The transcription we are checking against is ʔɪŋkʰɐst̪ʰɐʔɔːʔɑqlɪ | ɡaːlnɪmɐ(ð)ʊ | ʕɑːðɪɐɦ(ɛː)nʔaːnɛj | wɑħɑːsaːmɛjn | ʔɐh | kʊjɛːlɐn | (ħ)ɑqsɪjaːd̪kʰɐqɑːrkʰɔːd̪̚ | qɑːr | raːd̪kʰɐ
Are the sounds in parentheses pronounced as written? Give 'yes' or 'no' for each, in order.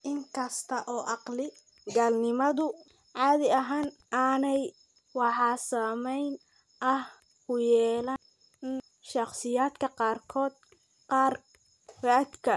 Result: yes, no, no

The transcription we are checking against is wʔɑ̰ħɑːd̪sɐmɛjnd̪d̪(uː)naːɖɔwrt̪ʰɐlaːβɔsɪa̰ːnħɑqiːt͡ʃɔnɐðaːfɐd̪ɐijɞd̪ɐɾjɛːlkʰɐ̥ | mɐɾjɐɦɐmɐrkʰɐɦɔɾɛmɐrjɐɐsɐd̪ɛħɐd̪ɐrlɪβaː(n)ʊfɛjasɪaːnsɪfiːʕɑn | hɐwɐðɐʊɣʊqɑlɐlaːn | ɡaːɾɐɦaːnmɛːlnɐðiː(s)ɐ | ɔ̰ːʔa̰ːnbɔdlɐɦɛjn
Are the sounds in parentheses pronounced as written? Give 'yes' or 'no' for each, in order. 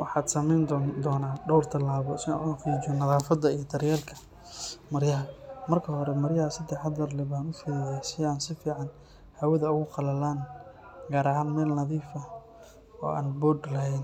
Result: no, yes, no

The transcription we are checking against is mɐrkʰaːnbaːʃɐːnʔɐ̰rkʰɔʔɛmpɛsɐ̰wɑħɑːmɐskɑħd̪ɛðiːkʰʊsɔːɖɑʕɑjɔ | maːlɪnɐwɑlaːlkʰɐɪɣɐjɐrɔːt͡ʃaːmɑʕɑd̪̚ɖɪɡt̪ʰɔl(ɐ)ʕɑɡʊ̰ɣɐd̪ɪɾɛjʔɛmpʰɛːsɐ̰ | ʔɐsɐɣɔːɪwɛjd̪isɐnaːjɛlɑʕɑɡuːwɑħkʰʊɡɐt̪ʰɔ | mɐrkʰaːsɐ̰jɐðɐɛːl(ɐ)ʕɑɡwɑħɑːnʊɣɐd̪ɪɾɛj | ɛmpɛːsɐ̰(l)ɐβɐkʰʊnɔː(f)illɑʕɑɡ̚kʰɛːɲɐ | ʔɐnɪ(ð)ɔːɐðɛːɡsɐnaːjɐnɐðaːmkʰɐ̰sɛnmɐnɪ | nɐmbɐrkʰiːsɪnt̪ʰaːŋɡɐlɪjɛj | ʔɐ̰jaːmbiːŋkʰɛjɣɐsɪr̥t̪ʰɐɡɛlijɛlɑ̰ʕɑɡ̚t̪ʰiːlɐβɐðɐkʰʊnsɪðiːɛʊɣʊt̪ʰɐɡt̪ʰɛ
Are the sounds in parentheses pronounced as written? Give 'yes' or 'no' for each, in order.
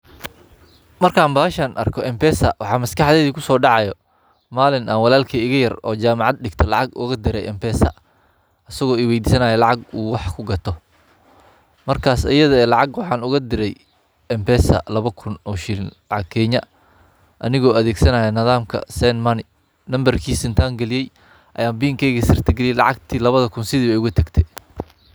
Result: no, no, yes, no, no

